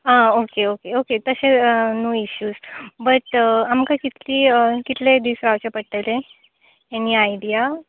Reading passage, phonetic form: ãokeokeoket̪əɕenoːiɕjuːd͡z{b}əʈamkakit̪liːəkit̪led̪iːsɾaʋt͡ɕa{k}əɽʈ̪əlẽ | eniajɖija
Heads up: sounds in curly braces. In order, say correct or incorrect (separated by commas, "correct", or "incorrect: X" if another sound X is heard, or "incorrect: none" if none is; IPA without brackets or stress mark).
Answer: correct, incorrect: p